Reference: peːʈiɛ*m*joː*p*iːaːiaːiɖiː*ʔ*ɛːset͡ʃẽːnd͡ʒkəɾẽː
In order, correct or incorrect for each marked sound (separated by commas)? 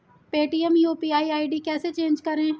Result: correct, correct, incorrect